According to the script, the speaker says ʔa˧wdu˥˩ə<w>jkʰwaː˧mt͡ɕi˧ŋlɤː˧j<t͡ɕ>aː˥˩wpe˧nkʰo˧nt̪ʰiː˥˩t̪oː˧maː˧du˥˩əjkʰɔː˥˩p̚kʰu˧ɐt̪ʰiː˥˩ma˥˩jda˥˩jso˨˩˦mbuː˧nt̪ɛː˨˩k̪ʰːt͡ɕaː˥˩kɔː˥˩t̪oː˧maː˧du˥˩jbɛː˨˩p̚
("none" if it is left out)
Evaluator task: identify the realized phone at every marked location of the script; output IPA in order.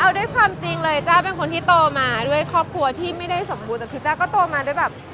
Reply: none, t͡ɕ

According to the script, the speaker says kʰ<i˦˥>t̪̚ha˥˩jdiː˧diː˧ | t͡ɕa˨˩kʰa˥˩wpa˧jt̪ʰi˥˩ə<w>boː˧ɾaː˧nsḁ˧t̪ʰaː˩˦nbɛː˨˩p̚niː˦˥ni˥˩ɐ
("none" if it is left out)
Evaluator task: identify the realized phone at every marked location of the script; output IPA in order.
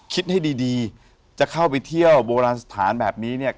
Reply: i˦˥, w

